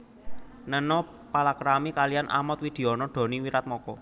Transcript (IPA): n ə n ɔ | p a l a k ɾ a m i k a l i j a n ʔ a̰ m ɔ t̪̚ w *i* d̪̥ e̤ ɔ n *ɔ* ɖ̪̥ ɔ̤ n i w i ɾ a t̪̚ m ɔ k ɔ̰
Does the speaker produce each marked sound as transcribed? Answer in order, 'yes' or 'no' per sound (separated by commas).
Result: yes, yes